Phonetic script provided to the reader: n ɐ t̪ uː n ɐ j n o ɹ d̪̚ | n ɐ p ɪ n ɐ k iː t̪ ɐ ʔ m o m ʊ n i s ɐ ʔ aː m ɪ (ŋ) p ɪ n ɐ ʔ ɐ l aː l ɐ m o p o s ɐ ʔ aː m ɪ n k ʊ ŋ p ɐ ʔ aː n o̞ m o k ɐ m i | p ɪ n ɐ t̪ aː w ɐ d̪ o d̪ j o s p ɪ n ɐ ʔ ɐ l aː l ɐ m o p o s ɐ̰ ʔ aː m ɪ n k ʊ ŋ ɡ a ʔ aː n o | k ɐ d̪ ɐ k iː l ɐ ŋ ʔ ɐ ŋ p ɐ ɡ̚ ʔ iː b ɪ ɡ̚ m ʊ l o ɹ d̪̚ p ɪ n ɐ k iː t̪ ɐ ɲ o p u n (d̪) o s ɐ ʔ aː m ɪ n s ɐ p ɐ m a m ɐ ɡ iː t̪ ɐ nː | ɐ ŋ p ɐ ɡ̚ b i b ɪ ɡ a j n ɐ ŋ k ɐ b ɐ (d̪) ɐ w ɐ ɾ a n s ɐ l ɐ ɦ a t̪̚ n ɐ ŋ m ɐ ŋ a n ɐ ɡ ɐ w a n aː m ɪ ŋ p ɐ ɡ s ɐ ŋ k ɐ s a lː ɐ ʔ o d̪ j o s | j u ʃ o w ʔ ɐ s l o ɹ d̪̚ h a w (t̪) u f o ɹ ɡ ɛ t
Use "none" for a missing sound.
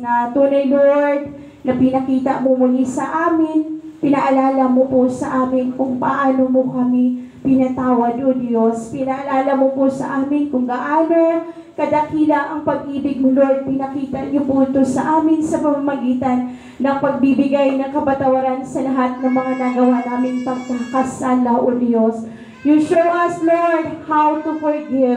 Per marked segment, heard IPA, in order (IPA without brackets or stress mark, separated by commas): n, t̪, t̪, t̪